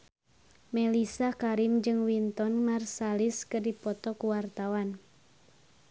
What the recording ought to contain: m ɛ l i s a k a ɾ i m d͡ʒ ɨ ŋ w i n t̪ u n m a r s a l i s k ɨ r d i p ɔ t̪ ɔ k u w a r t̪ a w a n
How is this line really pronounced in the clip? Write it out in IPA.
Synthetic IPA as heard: m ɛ l i s a k a ɾ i m d͡ʒ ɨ ŋ w i n t̪ ɔ n m a r s a l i s k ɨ r d i p ɔ t̪ ɔ k u w a r t̪ a w a n